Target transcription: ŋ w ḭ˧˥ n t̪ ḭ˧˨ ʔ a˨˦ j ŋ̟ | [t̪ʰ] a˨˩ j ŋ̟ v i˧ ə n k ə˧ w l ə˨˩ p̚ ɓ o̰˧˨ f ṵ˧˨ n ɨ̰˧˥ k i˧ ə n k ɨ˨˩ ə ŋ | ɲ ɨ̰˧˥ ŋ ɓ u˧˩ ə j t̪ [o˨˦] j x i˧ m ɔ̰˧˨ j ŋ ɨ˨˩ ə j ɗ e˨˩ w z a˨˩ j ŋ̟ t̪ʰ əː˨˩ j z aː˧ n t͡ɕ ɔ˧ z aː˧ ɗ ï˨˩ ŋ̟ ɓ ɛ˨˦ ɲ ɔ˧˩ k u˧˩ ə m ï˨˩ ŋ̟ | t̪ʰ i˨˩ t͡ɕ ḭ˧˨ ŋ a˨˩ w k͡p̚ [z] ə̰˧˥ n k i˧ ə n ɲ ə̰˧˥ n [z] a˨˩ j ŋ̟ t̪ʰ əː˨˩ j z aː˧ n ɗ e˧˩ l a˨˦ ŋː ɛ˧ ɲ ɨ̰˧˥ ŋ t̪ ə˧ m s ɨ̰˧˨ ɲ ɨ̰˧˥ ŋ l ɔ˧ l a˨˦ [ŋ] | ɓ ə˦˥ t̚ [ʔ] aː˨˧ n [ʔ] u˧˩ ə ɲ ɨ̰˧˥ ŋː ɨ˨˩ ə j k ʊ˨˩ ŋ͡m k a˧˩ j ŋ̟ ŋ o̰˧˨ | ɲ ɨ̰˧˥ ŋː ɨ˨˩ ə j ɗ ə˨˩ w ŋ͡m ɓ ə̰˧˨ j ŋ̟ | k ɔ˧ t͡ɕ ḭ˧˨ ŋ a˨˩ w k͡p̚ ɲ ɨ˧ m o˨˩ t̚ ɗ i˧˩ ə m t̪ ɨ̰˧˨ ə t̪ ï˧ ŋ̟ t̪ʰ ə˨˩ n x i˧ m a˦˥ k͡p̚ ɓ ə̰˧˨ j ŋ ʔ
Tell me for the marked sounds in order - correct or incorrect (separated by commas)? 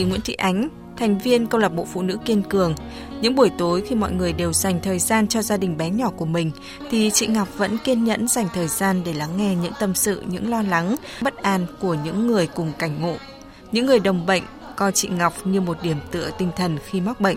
correct, correct, incorrect, correct, correct, correct, incorrect